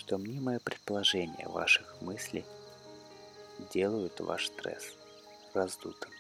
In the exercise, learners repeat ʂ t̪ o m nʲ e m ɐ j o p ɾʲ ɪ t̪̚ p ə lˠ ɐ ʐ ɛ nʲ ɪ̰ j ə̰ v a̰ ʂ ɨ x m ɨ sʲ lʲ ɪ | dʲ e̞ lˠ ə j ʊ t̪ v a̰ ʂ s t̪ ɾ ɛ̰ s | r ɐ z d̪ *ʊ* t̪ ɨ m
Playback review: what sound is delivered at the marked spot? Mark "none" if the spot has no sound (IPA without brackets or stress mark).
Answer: u